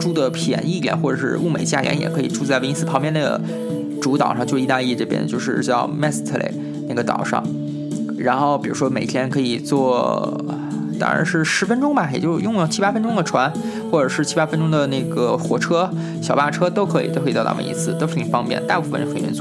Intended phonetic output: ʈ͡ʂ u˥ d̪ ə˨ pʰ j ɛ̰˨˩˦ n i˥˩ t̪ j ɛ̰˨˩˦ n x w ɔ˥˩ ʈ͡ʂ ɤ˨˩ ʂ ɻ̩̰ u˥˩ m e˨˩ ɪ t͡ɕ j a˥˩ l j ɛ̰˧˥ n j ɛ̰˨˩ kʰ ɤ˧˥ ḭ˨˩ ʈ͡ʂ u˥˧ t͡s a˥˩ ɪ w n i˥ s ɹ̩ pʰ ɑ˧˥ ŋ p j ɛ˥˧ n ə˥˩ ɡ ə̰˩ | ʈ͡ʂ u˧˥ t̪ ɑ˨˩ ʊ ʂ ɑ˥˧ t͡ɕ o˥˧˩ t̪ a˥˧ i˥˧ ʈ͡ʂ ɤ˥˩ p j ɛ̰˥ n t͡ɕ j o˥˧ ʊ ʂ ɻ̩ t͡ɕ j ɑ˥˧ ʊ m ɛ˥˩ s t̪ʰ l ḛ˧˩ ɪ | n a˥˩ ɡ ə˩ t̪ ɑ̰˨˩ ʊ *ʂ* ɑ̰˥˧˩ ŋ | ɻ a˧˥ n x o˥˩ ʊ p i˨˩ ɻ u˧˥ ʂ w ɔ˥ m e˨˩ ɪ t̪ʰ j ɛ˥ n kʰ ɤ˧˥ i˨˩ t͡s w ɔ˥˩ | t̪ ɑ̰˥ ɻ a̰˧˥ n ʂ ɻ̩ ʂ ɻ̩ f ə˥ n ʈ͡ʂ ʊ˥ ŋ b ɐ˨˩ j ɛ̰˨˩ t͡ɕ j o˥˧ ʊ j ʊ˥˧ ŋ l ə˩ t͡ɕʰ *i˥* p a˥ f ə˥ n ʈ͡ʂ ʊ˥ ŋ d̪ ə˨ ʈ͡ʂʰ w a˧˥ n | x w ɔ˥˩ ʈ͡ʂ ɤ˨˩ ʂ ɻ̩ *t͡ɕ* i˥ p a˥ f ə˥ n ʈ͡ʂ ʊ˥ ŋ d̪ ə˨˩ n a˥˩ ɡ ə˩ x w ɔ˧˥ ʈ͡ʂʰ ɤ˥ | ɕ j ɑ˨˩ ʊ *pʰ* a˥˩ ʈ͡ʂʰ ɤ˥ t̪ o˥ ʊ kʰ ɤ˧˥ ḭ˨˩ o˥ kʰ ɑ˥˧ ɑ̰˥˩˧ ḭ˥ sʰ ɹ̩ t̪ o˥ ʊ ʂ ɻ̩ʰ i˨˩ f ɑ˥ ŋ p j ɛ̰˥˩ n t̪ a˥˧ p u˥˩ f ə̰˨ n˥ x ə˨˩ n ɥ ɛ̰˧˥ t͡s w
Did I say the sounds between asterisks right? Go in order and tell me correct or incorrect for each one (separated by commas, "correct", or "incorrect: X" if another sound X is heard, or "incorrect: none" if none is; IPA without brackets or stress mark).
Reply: correct, correct, incorrect: t͡ɕʰ, incorrect: p